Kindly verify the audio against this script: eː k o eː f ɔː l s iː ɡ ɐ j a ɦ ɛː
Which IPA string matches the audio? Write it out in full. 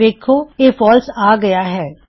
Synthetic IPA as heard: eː kʰ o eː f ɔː l s aː ɡ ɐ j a ɦ ɛː